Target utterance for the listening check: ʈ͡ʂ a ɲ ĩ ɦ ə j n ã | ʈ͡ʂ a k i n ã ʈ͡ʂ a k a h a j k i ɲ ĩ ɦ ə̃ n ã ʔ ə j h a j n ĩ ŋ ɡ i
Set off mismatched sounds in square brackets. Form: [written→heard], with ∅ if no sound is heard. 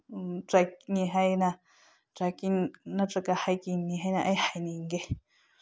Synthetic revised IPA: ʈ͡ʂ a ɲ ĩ ɦ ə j n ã | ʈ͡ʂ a k i n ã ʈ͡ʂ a k a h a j k i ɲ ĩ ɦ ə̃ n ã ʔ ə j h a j n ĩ ŋ ɡ [i→e]